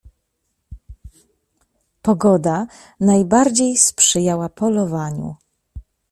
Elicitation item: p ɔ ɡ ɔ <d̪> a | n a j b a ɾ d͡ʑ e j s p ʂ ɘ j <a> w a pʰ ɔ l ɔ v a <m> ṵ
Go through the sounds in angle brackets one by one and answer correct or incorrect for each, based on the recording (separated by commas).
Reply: correct, correct, incorrect